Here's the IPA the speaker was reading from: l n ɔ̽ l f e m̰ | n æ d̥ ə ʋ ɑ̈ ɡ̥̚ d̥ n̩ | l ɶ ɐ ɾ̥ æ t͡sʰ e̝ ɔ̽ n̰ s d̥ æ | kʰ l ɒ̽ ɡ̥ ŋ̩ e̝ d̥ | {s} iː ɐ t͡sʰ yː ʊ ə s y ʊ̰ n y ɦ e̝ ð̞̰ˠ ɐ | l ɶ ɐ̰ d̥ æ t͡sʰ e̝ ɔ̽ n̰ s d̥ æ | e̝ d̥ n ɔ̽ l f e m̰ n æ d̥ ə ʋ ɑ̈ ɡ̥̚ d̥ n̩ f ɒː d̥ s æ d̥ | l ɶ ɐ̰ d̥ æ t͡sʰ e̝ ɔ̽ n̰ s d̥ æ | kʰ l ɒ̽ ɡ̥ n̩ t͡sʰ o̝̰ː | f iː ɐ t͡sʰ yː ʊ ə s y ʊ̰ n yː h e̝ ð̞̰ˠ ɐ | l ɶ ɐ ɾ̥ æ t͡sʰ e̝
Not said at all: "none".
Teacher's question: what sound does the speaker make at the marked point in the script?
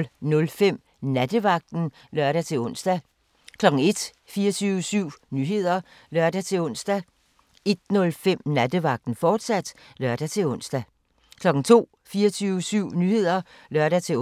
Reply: f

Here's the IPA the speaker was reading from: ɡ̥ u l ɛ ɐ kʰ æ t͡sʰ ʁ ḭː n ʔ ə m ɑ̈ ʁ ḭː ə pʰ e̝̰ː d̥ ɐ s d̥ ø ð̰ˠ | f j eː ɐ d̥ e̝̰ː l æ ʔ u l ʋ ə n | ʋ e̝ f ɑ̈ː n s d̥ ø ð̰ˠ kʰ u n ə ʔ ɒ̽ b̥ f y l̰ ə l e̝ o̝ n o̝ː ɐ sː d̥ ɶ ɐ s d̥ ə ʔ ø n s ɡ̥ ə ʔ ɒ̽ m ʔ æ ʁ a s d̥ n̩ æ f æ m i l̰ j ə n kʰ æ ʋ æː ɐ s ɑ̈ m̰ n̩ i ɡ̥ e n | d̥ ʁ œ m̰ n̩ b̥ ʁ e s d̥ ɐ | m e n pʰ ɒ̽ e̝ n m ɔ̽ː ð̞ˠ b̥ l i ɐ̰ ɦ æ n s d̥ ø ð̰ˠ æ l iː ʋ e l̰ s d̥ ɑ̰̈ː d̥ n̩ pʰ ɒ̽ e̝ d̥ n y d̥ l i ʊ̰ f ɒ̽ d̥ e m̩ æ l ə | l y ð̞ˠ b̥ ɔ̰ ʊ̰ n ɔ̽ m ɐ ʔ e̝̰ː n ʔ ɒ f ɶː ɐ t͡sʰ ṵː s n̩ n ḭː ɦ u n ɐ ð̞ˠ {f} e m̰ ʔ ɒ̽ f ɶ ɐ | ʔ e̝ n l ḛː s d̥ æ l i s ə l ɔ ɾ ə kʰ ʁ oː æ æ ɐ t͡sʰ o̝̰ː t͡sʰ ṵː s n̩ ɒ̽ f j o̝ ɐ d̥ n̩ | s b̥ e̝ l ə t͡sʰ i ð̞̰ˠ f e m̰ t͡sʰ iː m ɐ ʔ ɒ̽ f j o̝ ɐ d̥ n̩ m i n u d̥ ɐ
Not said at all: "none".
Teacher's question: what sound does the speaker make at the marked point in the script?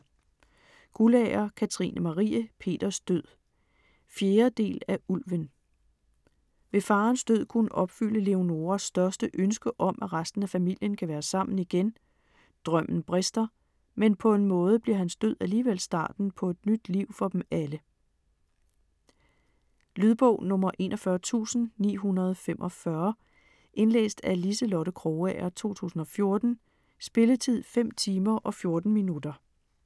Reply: f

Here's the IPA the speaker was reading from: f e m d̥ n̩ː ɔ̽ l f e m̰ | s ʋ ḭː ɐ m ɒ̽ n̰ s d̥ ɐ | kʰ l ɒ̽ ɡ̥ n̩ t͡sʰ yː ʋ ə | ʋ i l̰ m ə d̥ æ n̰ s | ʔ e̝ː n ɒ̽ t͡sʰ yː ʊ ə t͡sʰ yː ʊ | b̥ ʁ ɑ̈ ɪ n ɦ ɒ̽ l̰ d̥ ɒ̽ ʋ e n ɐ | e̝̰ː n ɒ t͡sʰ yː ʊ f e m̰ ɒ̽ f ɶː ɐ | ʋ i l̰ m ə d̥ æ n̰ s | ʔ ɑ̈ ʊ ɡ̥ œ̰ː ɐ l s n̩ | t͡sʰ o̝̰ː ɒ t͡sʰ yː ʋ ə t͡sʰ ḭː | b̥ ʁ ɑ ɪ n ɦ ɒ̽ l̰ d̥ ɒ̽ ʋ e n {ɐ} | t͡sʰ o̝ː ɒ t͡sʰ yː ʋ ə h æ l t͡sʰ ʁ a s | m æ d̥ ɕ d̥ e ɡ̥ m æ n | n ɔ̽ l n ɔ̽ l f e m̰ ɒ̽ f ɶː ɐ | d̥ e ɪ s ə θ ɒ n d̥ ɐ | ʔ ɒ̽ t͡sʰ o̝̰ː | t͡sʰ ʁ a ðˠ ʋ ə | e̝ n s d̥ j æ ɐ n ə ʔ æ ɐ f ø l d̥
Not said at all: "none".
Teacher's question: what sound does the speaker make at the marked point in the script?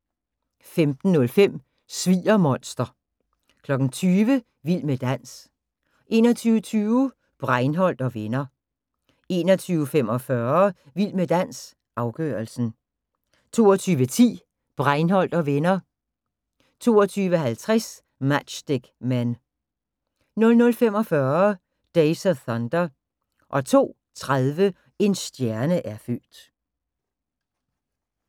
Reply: ɐ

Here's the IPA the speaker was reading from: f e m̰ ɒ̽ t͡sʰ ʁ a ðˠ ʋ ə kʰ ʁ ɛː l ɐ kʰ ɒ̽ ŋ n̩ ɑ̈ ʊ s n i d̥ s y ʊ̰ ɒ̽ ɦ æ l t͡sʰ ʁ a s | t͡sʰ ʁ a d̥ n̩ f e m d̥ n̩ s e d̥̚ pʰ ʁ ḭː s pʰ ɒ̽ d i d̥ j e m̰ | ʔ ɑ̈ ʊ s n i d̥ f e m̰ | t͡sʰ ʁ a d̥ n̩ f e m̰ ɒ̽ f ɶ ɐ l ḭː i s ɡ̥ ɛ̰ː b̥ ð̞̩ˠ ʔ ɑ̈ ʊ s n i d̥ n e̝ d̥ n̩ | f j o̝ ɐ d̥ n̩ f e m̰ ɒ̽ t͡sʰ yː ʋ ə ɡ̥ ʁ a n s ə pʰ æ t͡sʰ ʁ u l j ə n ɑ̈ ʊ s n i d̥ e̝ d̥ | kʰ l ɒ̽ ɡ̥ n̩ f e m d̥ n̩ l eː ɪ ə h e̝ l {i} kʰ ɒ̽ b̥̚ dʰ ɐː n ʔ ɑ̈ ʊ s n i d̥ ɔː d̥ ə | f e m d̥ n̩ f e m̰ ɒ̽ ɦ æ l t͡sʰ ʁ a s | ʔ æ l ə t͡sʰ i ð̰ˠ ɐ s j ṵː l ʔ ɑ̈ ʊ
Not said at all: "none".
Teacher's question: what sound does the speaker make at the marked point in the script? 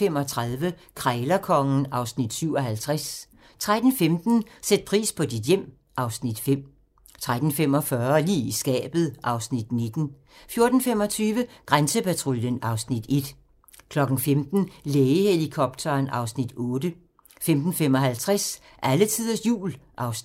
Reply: i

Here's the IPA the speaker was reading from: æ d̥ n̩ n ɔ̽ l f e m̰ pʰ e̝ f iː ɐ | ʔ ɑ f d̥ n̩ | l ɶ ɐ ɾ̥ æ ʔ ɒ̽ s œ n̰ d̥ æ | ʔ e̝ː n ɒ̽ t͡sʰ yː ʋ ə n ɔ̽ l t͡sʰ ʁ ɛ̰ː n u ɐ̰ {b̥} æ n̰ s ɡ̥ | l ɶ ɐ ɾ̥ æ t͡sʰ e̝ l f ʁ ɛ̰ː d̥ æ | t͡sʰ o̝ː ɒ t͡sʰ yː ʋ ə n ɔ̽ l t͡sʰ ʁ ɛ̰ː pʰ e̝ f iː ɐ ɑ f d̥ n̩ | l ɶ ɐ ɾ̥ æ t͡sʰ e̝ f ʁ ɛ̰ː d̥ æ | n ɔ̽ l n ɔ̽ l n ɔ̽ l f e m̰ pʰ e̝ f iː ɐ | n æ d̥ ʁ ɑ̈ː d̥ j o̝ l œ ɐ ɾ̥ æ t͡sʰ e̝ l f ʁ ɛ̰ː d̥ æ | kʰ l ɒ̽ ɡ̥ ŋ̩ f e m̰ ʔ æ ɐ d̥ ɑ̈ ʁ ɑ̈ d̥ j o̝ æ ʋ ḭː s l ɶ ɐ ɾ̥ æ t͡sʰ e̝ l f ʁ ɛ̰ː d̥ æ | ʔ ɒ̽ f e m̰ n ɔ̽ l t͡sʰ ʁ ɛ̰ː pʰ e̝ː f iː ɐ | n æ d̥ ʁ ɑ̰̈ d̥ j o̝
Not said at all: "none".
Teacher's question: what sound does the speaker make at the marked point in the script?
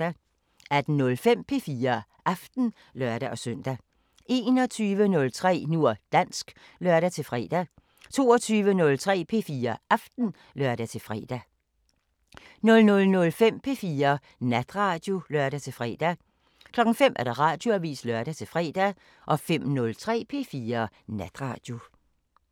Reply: d̥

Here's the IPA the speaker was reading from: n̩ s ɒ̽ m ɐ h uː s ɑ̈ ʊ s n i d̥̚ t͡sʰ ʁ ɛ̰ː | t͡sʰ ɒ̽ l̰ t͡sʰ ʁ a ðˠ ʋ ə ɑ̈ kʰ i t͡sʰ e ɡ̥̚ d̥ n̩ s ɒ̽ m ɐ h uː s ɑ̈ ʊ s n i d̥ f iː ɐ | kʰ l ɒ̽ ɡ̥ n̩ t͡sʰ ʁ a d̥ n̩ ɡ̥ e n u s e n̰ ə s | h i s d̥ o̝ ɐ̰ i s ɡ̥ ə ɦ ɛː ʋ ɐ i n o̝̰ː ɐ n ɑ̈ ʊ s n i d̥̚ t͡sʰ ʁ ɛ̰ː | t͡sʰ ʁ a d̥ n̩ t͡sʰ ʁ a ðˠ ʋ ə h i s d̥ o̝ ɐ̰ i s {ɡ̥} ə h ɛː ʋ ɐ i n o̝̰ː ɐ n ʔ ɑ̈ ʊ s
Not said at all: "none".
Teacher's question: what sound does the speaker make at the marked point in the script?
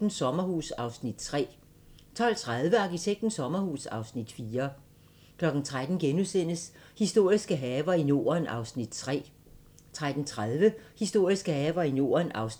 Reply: ɡ̥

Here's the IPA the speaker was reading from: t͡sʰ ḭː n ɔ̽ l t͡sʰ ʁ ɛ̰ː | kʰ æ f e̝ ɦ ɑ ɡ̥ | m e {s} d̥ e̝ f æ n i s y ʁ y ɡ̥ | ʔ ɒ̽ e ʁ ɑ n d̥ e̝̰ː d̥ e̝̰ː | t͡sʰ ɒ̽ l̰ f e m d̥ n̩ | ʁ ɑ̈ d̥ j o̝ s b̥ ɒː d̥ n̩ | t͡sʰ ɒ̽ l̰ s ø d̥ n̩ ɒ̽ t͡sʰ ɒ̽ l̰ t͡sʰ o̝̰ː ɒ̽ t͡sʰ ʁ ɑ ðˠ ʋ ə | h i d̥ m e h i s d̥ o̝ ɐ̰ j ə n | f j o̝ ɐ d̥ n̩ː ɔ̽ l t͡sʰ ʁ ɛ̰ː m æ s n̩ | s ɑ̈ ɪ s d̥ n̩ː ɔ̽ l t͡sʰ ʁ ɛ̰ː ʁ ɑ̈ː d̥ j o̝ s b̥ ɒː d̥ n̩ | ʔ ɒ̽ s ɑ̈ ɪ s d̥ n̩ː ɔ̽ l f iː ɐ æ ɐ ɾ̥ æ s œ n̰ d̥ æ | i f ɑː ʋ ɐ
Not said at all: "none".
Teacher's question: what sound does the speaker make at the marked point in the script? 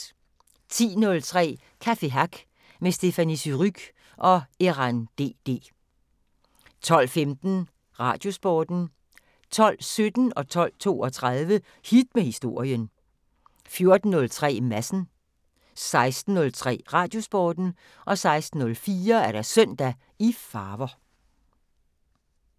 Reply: s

